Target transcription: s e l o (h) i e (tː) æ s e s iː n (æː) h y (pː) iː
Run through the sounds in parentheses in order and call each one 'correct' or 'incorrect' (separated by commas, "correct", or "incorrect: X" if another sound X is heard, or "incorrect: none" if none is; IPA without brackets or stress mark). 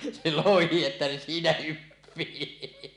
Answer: correct, correct, incorrect: æ, correct